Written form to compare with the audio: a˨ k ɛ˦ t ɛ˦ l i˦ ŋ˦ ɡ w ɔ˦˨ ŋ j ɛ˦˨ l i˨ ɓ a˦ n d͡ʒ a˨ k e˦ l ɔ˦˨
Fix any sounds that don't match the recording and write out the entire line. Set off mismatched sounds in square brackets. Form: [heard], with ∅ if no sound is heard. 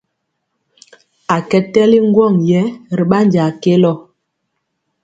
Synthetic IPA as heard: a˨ k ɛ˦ t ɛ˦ l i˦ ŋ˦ ɡ w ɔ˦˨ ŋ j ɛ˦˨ [ɾ] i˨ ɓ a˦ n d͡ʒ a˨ k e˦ l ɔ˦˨